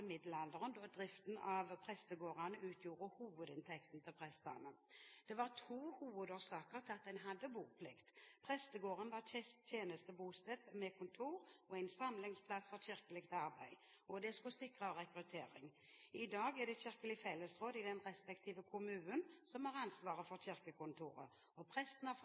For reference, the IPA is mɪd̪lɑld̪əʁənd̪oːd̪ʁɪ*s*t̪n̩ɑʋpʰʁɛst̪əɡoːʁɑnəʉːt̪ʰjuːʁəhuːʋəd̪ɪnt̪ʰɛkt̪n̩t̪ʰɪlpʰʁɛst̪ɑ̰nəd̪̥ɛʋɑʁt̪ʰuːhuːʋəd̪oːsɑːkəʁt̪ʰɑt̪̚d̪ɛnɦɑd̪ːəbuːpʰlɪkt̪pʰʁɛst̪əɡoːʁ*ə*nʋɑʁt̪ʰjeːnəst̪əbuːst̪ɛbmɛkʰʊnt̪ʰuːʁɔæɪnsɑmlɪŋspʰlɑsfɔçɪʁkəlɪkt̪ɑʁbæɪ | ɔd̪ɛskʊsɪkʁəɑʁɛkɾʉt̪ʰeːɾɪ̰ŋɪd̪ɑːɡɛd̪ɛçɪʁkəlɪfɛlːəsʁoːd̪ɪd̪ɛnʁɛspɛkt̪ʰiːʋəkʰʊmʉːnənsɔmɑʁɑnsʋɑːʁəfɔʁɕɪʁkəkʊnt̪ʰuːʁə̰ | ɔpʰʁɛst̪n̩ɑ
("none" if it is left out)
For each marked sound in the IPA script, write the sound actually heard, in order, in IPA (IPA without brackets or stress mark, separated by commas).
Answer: f, ə